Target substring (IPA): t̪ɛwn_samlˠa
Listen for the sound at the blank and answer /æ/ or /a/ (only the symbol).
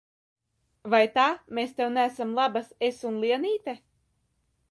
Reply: æ